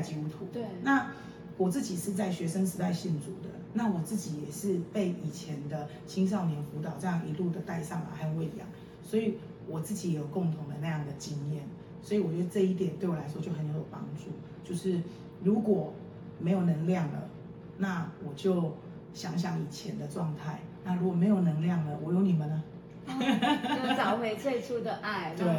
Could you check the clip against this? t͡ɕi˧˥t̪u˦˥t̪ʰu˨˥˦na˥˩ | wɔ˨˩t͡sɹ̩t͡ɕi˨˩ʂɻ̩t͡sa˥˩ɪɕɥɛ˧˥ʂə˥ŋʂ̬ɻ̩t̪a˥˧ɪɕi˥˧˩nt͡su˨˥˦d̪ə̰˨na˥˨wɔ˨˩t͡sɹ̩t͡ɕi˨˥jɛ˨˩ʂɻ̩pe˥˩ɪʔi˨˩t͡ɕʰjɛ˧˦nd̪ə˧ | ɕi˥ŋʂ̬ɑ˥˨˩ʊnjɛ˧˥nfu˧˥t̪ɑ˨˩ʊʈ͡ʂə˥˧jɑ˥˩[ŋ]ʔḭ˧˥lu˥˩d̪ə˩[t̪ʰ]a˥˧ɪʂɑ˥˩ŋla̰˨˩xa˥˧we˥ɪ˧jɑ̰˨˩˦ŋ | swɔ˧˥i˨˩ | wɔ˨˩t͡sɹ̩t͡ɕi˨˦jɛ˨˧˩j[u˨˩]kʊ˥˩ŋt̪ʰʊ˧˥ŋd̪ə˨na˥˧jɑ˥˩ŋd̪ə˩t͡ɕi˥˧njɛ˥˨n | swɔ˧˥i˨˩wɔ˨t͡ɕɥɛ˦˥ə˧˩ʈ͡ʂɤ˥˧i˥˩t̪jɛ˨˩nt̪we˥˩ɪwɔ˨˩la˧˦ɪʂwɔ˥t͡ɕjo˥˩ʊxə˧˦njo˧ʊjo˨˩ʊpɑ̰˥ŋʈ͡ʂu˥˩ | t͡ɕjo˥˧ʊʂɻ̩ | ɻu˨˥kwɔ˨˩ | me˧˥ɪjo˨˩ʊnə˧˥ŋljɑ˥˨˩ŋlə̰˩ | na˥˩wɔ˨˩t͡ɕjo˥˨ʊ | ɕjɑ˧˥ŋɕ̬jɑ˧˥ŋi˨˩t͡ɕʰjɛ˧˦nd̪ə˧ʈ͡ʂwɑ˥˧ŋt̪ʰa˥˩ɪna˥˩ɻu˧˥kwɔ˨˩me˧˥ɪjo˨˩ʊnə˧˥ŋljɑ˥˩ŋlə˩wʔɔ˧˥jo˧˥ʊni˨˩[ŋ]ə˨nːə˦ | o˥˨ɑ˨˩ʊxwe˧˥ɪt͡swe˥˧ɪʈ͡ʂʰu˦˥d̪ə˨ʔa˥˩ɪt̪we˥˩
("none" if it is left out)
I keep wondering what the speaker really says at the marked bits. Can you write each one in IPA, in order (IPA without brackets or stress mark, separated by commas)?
ŋ, t̪, o˨˩, m